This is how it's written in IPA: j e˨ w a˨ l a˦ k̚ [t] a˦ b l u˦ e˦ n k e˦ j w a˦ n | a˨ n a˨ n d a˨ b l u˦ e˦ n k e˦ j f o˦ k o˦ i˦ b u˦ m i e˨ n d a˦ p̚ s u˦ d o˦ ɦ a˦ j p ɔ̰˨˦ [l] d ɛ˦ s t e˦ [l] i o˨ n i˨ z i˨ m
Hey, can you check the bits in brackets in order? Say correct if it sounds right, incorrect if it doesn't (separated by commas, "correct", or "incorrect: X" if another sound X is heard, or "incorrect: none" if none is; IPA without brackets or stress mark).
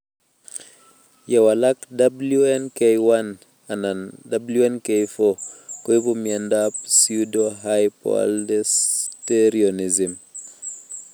incorrect: d, correct, incorrect: ɾ